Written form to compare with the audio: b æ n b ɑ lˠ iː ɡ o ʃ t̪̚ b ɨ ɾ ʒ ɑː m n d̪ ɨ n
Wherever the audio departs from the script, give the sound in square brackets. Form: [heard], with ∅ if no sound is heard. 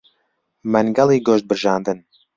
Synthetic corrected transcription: [m] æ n [ɡ] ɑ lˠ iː ɡ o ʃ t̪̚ b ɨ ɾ ʒ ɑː [∅] n d̪ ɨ n